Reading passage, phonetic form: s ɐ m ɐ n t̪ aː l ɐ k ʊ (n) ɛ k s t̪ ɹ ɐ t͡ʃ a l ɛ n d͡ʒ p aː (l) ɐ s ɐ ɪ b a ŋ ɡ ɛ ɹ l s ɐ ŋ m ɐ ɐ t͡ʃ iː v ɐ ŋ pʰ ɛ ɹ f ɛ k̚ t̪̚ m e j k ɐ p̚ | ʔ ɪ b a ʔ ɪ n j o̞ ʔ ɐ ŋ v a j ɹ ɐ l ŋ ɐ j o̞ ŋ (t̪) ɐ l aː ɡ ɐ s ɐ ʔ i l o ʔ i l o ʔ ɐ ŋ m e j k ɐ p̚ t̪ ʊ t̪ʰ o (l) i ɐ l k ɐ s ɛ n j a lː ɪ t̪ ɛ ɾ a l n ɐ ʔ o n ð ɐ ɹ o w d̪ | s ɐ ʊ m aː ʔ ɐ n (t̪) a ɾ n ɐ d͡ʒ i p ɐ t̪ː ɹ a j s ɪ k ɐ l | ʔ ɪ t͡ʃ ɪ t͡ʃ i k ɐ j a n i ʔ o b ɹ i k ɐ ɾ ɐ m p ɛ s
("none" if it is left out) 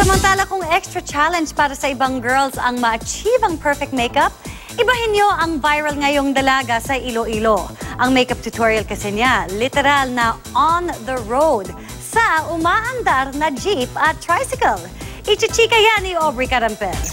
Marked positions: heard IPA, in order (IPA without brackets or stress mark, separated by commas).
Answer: ŋ, ɾ, d̪, ɹ, d̪